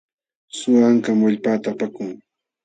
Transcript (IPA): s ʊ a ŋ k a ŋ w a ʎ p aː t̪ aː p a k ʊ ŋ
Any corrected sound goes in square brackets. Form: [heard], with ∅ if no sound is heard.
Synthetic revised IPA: s ʊ a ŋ k a [m] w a ʎ p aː t̪ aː p a k ʊ ŋ

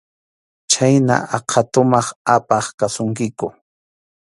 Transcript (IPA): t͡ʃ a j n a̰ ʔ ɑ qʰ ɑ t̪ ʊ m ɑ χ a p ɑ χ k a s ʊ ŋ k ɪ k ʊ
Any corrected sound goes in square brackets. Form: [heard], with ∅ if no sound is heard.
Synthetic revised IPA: t͡ʃ a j n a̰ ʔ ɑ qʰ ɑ t̪ ʊ m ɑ χ a p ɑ χ k a s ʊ ŋ k ɪ k ʊ

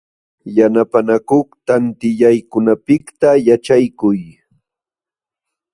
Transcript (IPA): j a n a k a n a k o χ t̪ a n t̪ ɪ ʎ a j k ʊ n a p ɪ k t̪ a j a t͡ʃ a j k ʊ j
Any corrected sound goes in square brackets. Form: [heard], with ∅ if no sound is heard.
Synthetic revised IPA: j a n a [p] a n a k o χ t̪ a n t̪ ɪ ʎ a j k ʊ n a p ɪ k t̪ a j a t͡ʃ a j k ʊ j

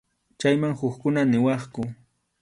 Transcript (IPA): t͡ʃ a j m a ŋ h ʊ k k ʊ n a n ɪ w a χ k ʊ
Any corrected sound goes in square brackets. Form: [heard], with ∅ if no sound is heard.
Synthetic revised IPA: t͡ʃ a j m a ŋ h ʊ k k ʊ n a n ɪ w [ɑ] χ k ʊ

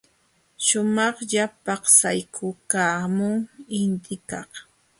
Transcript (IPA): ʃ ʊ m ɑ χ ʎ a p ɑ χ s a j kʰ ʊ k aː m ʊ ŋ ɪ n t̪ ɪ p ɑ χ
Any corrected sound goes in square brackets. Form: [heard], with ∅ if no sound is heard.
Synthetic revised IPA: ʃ ʊ m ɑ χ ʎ a p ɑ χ s a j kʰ ʊ k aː m ʊ ŋ ɪ n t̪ ɪ [k] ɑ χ

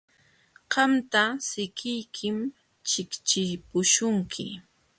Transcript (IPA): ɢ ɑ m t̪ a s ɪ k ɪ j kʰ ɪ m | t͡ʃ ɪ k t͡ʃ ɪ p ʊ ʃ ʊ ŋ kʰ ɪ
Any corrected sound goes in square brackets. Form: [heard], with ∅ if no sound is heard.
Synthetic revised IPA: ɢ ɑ m t̪ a s ɪ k ɪ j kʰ ɪ m | t͡ʃ ɪ k t͡ʃ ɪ p ʊ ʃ ʊ ŋ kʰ ɪ

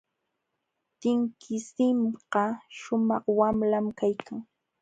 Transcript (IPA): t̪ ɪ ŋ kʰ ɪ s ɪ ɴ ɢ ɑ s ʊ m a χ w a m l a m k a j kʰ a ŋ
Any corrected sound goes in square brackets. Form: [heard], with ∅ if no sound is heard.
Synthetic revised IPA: t̪ ɪ ŋ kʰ ɪ s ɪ [m] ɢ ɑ [ʃ] ʊ m [ɑ] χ w a m l a m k a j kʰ a ŋ

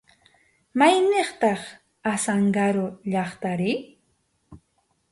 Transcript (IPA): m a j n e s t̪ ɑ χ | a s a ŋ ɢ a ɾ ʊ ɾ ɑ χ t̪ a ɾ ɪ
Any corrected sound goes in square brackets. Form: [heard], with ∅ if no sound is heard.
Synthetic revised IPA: m a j n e [χ] t̪ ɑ χ | a s a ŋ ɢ a ɾ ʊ [ʎ] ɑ χ t̪ a ɾ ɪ

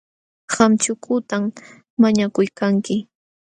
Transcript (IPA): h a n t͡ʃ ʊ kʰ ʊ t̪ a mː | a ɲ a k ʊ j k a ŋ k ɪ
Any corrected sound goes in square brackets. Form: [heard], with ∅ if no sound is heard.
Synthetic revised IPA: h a [m] t͡ʃ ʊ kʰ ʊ t̪ a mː | a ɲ a k ʊ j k a ŋ k ɪ

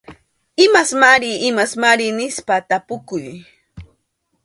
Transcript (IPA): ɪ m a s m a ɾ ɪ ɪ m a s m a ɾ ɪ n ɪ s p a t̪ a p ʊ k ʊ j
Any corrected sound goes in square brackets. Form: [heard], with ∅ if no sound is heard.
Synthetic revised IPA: ɪ m a s m a ɾ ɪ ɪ m a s m a ɾ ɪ n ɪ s p a t̪ a p ʊ k ʊ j

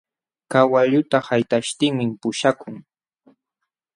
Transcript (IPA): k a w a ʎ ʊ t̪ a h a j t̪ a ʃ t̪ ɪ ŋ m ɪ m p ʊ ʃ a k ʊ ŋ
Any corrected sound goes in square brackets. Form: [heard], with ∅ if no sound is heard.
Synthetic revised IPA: k a w a ʎ ʊ t̪ a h a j t̪ a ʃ t̪ ɪ ŋ m ɪ m p ʊ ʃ a k ʊ ŋ

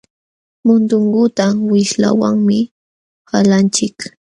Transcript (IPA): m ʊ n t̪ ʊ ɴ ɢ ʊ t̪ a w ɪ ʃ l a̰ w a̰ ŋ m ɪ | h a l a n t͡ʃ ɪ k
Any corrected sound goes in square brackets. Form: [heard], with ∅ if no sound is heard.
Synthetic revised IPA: m ʊ n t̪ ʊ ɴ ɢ ʊ t̪ a w ɪ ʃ l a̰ w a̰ ŋ m ɪ | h a l a n t͡ʃ ɪ k

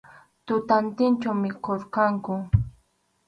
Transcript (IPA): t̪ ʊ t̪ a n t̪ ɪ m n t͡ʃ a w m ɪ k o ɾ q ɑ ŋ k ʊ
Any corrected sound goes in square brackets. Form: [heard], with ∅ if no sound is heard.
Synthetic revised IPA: t̪ ʊ t̪ a n t̪ ɪ [∅] n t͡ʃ a w m ɪ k o ɾ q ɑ ŋ k ʊ

